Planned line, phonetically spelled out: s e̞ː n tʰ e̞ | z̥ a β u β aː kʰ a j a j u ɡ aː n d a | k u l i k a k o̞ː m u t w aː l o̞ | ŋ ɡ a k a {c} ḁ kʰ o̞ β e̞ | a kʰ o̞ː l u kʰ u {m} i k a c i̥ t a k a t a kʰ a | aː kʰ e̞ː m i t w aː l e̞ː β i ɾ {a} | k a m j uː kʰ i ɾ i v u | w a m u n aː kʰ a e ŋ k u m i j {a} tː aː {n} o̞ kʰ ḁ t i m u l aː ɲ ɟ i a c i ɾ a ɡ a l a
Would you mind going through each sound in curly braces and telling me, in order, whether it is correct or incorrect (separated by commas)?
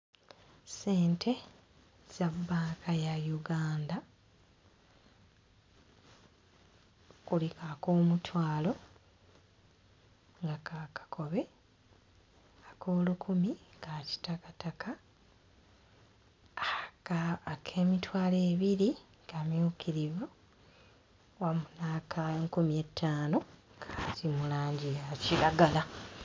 incorrect, correct, incorrect, incorrect, correct